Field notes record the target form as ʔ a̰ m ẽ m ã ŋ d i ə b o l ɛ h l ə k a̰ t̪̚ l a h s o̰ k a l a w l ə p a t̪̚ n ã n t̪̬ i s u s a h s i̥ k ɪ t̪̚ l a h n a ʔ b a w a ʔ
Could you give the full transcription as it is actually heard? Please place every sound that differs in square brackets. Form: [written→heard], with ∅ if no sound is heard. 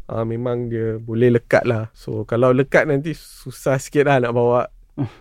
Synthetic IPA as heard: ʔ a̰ m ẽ m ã ŋ d i ə b o l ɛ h l ə k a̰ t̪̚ l a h s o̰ k a l a w l ə [p→k] a t̪̚ n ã n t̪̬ i s u s a h s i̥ k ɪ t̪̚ l a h n a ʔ b a w a ʔ